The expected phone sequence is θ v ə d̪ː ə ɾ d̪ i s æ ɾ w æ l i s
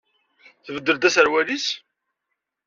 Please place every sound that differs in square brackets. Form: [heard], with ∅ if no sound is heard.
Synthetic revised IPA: θ v ə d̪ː ə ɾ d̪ [æ] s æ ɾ w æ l i s